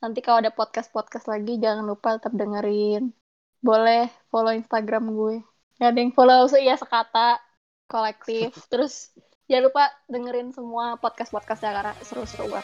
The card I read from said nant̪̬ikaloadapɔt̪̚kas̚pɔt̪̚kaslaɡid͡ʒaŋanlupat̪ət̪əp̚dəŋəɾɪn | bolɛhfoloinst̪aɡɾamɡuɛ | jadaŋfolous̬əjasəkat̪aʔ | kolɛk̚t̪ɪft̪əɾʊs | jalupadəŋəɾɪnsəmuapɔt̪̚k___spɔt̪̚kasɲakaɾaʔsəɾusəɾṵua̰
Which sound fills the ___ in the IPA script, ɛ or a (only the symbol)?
a